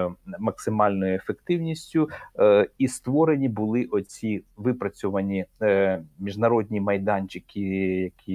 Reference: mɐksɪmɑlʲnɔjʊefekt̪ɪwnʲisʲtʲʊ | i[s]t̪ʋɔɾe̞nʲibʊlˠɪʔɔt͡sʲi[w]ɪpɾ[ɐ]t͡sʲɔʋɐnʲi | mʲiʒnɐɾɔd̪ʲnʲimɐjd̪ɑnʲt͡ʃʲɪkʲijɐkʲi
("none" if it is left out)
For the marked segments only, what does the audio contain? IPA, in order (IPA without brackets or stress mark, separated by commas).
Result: s, ʋ, ɐ